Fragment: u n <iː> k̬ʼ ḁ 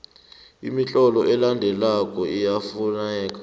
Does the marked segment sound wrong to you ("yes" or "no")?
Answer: yes